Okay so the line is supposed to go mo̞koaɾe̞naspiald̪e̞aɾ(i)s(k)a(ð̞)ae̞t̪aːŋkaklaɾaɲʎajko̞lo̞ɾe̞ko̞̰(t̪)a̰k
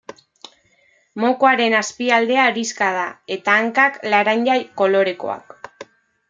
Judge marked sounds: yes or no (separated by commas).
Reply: yes, yes, yes, no